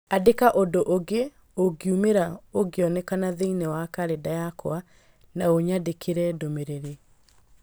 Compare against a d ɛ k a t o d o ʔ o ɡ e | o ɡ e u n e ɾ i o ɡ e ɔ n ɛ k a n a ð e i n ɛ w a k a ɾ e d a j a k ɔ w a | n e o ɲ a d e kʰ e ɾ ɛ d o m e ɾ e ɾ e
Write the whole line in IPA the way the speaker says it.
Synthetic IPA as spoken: a d e k a ʔ o d o ʔ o ɡ e | o ɡ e u m e ɾ a o ɡ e ɔ n ɛ k a n a ð e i n ɛ w a k a ɾ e d a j a k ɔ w a | n a o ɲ a d e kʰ e ɾ ɛ d o m e ɾ e ɾ e